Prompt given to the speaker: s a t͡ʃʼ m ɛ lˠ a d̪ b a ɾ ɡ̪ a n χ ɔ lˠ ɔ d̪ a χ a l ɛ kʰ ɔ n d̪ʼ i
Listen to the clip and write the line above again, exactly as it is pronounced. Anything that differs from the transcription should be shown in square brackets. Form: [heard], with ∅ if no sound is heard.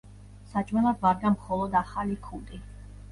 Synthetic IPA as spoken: s a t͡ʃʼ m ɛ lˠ a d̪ [v] a ɾ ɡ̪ a [m] χ ɔ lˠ ɔ d̪ a χ a l [i] kʰ [u] n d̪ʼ i